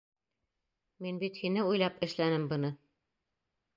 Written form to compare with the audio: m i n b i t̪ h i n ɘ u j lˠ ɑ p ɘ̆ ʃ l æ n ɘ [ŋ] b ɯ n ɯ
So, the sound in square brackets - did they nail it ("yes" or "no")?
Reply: no